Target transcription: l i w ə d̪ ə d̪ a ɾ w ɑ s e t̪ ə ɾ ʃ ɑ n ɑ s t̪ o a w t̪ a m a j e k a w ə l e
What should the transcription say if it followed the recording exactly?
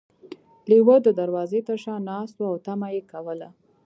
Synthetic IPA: l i w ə d̪ ə d̪ a ɾ w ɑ z e t̪ ə ɾ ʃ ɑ n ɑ s t̪ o a w t̪ a m a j e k a w ə l a